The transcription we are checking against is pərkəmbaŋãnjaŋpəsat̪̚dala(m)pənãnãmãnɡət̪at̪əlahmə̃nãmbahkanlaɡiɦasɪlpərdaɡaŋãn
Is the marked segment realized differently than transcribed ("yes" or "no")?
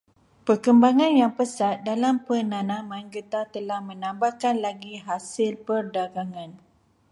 no